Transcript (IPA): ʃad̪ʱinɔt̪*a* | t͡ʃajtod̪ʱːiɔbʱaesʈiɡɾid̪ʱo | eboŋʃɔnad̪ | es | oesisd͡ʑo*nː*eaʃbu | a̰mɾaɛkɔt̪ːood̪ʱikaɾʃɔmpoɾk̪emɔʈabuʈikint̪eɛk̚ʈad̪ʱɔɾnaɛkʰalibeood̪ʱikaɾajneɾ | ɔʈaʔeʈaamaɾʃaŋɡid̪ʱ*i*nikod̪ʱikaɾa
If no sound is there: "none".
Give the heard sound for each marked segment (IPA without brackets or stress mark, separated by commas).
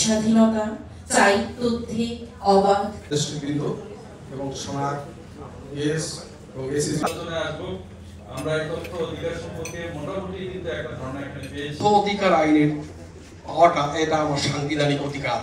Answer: a, n, a